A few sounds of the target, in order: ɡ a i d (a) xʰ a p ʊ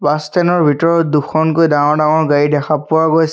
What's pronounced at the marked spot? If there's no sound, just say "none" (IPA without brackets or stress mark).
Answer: ɛ